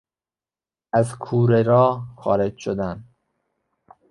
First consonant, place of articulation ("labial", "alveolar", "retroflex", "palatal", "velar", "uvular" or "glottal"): alveolar